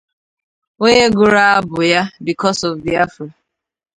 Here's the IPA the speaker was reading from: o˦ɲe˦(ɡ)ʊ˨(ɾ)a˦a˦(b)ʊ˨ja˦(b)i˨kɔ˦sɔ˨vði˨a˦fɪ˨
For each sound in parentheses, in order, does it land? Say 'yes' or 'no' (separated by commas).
yes, yes, yes, yes